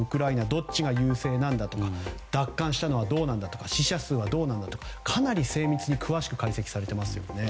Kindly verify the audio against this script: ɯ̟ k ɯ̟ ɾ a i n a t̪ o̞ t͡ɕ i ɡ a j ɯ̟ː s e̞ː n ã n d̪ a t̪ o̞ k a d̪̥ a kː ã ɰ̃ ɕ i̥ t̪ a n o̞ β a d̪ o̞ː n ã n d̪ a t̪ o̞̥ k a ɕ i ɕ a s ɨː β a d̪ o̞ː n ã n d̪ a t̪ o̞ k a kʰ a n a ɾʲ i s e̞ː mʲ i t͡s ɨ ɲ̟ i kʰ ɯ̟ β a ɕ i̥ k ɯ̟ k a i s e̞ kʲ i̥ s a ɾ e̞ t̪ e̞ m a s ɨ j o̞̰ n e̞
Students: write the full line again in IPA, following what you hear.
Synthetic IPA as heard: ɯ̟ k ɯ̟ ɾ a i n a d̪ o̞ t͡ɕ i ɡ a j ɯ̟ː s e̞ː n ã n d̪ a t̪ o̞ k a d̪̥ a kː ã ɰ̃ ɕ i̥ t̪ a n o̞ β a d̪ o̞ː n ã n d̪ a t̪ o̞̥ k a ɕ i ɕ a s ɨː β a d̪ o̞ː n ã n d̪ a t̪ o̞ k a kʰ a n a ɾʲ i s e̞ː mʲ i t͡s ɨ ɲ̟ i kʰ ɯ̟ β a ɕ i̥ k ɯ̟ k a i s e̞ kʲ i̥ s a ɾ e̞ t̪ e̞ m a s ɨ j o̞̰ n e̞

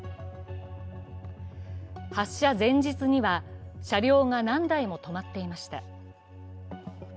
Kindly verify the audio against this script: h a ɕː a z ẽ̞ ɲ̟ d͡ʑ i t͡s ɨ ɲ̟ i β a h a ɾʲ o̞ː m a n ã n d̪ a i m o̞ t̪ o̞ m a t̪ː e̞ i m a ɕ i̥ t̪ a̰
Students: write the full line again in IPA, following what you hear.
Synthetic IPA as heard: h a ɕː a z ẽ̞ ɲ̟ d͡ʑ i t͡s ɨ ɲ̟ i β a ɕ a ɾʲ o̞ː ŋ a n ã n d̪ a i m o̞ t̪ o̞ m a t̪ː e̞ i m a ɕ i̥ t̪ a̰

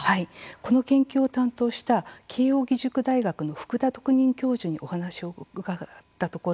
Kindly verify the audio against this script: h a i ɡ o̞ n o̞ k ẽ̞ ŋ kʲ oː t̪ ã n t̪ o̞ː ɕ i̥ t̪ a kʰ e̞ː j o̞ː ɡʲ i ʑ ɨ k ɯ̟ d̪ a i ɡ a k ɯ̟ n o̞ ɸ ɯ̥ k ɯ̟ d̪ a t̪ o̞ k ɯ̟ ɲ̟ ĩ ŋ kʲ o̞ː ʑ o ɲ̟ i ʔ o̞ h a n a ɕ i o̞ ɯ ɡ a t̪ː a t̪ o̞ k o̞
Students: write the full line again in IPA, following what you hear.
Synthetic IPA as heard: h a i k o̞ n o̞ k ẽ̞ ŋ kʲ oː t̪ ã n t̪ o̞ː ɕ i̥ t̪ a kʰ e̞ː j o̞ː ɡʲ i ʑ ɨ k ɯ̟ d̪ a i ɡ a k ɯ̟ n o̞ ɸ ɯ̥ k ɯ̟ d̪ a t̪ o̞ k ɯ̟ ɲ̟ ĩ ŋ kʲ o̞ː ʑ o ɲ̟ i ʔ o̞ h a n a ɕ i o̞ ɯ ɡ a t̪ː a t̪ o̞ k o̞

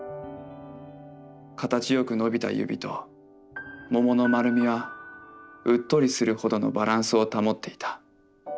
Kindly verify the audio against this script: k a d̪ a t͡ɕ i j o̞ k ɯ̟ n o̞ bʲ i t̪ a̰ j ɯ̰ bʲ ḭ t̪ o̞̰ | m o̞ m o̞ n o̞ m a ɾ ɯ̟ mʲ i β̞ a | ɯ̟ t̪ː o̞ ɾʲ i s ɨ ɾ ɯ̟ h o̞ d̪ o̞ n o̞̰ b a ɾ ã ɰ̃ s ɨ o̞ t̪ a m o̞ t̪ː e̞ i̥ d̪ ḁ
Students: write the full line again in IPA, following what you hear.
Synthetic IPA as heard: k a t̪ a t͡ɕ i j o̞ k ɯ̟ n o̞ bʲ i t̪ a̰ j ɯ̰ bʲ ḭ t̪ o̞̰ | m o̞ m o̞ n o̞ m a ɾ ɯ̟ mʲ i β̞ a | ɯ̟ t̪ː o̞ ɾʲ i s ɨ ɾ ɯ̟ h o̞ d̪ o̞ n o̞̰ b a ɾ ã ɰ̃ s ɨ o̞ t̪ a m o̞ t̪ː e̞ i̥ t̪ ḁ

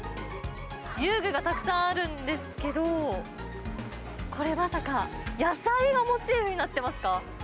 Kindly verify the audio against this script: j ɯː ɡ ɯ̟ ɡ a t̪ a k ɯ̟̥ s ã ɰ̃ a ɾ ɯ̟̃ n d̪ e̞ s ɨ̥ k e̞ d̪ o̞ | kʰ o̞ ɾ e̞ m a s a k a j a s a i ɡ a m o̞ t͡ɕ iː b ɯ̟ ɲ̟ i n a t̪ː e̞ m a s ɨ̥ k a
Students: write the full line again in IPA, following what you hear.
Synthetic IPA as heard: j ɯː ɡ ɯ̟ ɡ a t̪ a k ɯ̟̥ s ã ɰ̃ a ɾ ɯ̟̃ n d̪ e̞ s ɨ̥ k e̞ d̪ o̞ | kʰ o̞ ɾ e̞ m a s a k a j a s a i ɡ a m o̞ t͡ɕ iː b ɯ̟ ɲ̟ i n a t̪ː e̞ m a s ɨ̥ k a

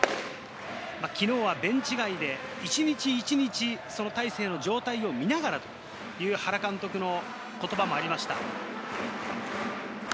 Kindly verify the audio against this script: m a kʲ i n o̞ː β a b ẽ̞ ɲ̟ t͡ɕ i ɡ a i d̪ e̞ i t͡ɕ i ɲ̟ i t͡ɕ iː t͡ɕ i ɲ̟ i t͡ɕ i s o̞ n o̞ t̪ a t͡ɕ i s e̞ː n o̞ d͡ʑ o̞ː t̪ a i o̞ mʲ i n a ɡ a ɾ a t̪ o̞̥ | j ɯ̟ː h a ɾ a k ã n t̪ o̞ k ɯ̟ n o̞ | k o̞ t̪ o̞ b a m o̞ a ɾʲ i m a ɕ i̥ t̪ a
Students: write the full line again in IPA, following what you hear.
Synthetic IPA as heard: m a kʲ i n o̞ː β a b ẽ̞ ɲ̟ t͡ɕ i ɡ a i d̪ e̞ i t͡ɕ i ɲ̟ i t͡ɕ iː t͡ɕ i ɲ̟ i t͡ɕ i s o̞ n o̞ t̪ a i s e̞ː n o̞ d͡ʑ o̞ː t̪ a i o̞ mʲ i n a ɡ a ɾ a t̪ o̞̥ | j ɯ̟ː h a ɾ a k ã n t̪ o̞ k ɯ̟ n o̞ | k o̞ t̪ o̞ b a m o̞ a ɾʲ i m a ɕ i̥ t̪ a

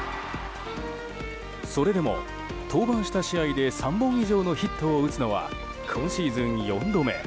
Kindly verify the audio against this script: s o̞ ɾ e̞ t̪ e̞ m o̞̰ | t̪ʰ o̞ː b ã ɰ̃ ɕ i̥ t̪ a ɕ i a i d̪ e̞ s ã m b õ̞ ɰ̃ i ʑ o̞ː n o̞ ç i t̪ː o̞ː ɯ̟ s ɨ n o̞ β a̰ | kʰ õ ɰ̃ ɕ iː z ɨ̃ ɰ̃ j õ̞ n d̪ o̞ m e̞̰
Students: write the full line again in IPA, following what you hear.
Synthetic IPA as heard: s o̞ ɾ e̞ d̪ e̞ m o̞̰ | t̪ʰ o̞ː b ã ɰ̃ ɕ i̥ t̪ a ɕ i a i d̪ e̞ s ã m b õ̞ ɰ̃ i ʑ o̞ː n o̞ ç i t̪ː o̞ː ɯ̟ t͡s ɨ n o̞ β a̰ | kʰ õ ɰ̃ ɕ iː z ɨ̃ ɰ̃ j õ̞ n d̪ o̞ m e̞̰

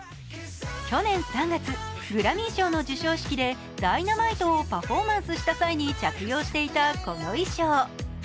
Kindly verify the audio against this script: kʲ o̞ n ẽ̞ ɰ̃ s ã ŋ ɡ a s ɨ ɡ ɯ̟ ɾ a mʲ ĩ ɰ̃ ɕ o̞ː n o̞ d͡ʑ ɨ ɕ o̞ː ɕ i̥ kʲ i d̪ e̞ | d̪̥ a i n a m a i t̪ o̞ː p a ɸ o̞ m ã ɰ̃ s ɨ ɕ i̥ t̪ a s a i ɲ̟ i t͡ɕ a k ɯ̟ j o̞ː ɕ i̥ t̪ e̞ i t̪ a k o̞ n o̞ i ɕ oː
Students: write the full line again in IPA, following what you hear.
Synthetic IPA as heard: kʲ o̞ n ẽ̞ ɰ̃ s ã ŋ ɡ a t͡s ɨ ɡ ɯ̟ ɾ a mʲ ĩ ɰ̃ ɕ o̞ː n o̞ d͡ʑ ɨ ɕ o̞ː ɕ i̥ kʲ i d̪ e̞ | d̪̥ a i n a m a i t̪ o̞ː p a ɸ o̞ m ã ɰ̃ s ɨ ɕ i̥ t̪ a s a i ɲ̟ i t͡ɕ a k ɯ̟ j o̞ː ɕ i̥ t̪ e̞ i t̪ a k o̞ n o̞ i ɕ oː

